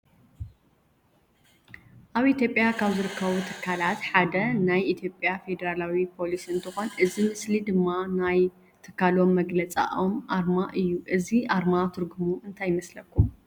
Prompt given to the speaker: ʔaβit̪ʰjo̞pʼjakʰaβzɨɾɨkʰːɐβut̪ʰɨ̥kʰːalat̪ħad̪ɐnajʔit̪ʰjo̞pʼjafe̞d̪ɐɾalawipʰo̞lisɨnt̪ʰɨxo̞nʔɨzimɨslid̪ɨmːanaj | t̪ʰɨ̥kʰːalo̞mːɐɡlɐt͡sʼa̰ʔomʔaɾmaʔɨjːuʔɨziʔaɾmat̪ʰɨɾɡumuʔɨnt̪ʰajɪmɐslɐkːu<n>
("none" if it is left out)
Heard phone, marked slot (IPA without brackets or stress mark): m